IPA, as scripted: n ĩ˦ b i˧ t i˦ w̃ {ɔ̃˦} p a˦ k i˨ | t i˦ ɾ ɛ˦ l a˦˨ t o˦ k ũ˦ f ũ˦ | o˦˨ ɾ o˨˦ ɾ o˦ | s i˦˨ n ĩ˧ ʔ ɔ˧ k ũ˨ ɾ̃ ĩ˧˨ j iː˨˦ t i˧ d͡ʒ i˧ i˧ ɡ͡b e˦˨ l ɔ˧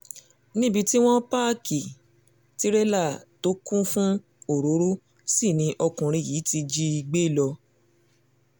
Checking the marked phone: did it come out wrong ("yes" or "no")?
no